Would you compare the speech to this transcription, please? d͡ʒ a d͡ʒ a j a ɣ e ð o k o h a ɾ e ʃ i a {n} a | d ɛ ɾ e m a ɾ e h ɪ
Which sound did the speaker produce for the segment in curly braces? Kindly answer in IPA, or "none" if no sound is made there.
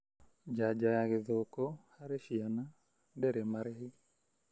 n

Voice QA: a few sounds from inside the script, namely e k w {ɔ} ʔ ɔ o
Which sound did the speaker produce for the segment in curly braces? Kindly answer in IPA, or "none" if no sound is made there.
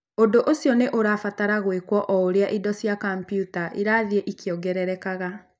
ɔ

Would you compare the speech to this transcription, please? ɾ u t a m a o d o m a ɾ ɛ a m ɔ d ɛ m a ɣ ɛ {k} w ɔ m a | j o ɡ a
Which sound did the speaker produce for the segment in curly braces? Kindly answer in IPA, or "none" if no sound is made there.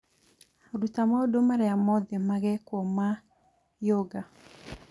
k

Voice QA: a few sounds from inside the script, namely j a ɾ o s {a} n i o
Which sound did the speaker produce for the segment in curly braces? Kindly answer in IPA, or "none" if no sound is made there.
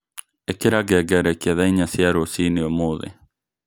i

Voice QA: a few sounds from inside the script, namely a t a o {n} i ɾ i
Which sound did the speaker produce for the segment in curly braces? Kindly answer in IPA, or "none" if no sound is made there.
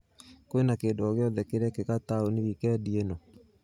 n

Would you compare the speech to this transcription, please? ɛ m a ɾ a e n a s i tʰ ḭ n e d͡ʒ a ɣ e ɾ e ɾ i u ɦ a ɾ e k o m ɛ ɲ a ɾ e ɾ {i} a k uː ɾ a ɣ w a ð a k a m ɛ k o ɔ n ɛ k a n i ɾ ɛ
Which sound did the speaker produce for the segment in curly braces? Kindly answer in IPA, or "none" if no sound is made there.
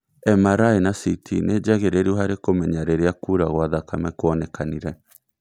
e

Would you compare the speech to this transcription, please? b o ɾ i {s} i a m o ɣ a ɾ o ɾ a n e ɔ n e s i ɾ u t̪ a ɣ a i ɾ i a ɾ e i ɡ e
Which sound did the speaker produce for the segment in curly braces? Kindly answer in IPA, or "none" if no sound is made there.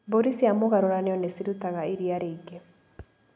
s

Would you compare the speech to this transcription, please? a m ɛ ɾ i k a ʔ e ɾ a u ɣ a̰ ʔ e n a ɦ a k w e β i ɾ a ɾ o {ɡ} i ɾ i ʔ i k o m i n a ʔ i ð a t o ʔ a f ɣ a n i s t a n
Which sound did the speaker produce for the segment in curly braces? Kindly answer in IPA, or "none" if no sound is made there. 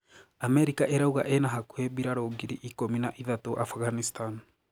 ɡ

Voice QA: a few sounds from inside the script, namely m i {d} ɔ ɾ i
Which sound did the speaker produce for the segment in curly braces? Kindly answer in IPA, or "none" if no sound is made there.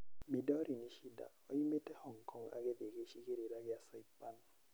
d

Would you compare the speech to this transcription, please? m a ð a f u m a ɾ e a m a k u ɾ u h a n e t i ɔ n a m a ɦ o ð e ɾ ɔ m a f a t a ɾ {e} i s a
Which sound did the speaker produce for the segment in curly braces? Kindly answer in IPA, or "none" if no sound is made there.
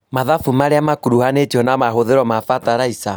a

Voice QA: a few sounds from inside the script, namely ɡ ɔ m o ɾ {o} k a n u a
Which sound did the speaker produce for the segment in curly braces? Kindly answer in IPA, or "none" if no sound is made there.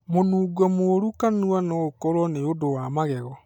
u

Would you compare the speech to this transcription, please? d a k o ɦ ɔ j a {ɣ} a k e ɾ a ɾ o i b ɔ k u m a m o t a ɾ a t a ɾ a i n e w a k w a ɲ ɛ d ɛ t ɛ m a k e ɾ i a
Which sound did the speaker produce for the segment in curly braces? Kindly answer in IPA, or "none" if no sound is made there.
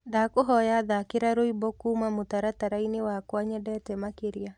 ð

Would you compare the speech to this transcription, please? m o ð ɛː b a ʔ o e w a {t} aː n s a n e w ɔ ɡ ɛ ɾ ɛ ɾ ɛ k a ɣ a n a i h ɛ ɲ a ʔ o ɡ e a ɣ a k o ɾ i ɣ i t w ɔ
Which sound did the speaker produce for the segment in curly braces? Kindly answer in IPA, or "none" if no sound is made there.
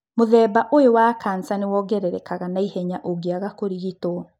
k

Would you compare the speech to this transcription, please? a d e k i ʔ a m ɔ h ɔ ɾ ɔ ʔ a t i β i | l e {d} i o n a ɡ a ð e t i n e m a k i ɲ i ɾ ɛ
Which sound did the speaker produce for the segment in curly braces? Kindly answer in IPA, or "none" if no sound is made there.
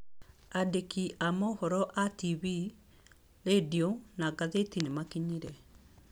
d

